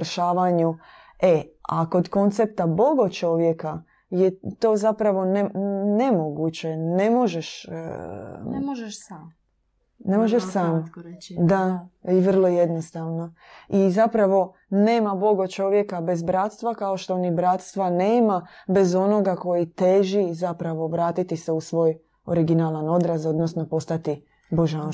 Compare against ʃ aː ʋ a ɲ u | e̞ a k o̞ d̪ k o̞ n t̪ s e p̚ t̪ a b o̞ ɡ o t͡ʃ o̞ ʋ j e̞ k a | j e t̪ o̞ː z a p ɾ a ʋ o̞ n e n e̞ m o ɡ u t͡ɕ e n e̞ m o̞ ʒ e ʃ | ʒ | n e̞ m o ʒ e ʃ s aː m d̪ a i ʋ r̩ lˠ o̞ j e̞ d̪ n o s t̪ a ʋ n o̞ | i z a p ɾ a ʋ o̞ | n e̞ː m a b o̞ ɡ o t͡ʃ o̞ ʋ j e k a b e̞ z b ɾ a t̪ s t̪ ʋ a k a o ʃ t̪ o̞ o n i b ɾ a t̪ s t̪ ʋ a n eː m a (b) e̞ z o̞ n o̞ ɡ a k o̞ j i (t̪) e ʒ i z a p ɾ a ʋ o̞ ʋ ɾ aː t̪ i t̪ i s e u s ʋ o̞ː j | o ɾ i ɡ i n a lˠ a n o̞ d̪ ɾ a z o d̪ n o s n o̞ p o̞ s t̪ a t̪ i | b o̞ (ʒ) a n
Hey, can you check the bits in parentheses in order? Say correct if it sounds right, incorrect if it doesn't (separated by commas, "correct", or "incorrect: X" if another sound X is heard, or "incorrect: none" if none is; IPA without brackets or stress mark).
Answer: correct, correct, correct